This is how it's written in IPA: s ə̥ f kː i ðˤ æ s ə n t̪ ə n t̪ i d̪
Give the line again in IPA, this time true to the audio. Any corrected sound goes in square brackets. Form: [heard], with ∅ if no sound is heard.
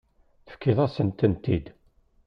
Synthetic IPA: [θ] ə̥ f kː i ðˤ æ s ə n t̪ ə n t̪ i d̪